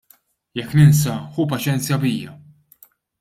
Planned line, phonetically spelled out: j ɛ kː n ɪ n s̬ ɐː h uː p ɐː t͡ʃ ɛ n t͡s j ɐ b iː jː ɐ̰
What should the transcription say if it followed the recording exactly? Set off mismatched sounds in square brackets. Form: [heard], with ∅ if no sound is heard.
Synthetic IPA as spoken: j ɛ kː n ɪ n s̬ [ɐ] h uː p [ɐ] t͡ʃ ɛ n t͡s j ɐ b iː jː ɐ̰

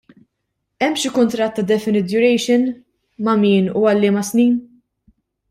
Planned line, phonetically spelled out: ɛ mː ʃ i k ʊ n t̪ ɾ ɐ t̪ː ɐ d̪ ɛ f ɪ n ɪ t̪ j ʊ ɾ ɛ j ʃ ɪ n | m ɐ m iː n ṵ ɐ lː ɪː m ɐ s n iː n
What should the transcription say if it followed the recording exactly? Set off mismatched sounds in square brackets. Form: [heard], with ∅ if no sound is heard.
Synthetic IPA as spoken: ɛ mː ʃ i k ʊ n t̪ ɾ ɐ t̪ː ɐ d̪ ɛ f ɪ n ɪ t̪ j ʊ ɾ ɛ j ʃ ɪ n | m ɐ m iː n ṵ ɐ lː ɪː m ɐ s n iː n

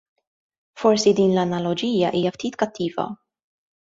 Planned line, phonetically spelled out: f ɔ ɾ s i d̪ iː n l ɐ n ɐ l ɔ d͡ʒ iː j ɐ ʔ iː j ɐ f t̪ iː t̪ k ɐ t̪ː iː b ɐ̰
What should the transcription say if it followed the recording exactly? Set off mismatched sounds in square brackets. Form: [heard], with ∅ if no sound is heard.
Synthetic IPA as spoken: f ɔ ɾ s i d̪ iː n l ɐ n ɐ l ɔ d͡ʒ iː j ɐ ʔ iː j ɐ f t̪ iː t̪ k ɐ t̪ː iː [v] ɐ̰

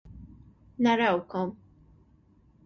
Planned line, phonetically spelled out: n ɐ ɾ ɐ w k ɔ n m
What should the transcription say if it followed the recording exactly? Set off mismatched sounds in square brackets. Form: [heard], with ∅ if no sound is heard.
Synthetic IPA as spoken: n ɐ ɾ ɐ w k ɔ [∅] m

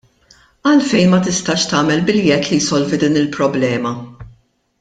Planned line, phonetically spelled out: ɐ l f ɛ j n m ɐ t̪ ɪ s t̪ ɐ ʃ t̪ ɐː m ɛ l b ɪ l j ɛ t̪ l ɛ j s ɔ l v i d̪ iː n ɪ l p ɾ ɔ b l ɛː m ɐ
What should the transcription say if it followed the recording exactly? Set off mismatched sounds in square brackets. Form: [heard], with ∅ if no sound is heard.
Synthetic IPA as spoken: ɐ l f ɛ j n m ɐ t̪ ɪ s t̪ ɐ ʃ t̪ ɐː m ɛ l b ɪ l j ɛ t̪ l [i] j s ɔ l v i d̪ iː n ɪ l p ɾ ɔ b l ɛː m ɐ

